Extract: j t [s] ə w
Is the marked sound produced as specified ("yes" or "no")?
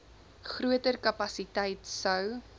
yes